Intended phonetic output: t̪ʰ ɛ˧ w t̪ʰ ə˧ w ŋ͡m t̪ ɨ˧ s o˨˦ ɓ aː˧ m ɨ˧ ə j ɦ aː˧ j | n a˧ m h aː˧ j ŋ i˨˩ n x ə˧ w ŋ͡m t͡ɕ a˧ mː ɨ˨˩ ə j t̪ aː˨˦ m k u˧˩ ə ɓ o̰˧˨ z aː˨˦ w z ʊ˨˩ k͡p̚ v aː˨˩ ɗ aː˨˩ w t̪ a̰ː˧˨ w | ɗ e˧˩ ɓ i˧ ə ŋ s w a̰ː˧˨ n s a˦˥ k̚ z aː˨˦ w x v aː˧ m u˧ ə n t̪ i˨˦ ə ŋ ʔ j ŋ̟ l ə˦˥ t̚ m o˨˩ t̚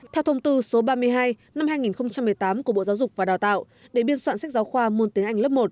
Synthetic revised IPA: t̪ʰ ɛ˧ w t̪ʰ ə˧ w ŋ͡m t̪ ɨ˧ s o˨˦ ɓ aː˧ m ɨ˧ ə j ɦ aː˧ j | n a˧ m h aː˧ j ŋ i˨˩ n x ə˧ w ŋ͡m t͡ɕ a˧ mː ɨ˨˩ ə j t̪ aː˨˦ m k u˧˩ ə ɓ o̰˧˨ z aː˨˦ w z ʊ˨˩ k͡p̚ v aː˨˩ ɗ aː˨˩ w t̪ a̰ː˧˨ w | ɗ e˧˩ ɓ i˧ ə n s w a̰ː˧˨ n s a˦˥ k̚ z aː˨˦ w x w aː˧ m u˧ ə n t̪ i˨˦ ə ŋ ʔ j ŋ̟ l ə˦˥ p̚ m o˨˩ t̚